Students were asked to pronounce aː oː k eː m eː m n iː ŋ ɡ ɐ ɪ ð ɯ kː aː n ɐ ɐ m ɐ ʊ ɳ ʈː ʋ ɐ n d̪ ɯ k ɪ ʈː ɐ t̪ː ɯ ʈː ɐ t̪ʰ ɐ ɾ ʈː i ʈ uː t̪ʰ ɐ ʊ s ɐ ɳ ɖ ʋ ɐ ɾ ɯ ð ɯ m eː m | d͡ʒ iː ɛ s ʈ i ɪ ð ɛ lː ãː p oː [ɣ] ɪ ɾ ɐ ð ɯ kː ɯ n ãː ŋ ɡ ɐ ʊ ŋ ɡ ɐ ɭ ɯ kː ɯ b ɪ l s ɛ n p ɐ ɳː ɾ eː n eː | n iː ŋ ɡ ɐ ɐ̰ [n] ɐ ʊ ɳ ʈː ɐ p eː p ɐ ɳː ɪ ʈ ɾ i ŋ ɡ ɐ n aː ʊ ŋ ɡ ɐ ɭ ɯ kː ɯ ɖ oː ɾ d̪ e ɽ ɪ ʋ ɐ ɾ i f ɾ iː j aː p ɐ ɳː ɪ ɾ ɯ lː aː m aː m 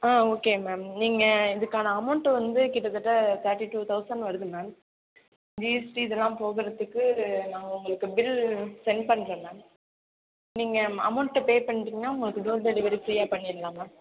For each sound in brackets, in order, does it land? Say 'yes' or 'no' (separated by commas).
yes, no